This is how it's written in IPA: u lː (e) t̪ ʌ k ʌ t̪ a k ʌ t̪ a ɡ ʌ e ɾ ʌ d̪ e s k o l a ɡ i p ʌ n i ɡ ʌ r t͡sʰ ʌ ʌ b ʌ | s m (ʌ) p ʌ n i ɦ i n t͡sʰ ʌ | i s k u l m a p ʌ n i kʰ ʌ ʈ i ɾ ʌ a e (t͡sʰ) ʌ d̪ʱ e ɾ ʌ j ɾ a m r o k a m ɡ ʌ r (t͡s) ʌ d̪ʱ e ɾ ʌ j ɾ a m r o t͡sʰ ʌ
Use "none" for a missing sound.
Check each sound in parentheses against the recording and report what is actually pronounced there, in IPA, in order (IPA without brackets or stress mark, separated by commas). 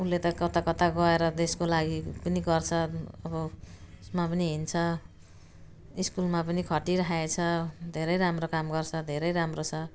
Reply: e, a, t͡sʰ, t͡sʰ